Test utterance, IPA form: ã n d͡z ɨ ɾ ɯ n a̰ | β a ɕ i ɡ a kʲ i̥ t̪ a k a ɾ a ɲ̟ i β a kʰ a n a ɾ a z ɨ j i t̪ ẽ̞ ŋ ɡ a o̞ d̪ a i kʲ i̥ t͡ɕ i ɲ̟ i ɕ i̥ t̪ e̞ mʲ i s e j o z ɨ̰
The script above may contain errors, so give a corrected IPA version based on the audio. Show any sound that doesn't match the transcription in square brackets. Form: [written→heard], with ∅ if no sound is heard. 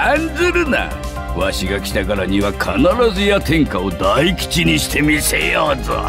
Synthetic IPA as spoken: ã n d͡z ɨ ɾ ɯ n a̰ | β a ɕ i ɡ a kʲ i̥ t̪ a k a ɾ a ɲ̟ i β a kʰ a n a ɾ a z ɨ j [i→a] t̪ ẽ̞ ŋ [ɡ→k] a o̞ d̪ a i kʲ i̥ t͡ɕ i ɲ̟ i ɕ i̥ t̪ e̞ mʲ i s e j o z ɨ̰